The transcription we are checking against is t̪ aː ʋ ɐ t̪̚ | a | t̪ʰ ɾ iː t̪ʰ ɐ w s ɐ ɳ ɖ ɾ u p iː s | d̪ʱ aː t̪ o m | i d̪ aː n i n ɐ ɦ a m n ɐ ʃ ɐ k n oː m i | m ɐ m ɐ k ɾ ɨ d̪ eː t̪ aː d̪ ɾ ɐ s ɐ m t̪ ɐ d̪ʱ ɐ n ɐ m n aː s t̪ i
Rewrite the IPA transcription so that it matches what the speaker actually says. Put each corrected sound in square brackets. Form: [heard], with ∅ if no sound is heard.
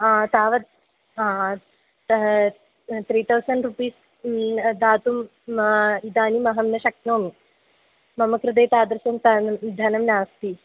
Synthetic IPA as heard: t̪ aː ʋ ɐ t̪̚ | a | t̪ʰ ɾ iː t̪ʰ ɐ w s ɐ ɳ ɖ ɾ u p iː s | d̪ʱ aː t̪ [u] m | i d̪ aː n i [m] ɐ ɦ [ɐ] m n ɐ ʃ ɐ k n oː m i | m ɐ m ɐ k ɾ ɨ d̪ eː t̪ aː d̪ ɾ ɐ s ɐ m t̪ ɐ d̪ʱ ɐ n ɐ m n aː s t̪ i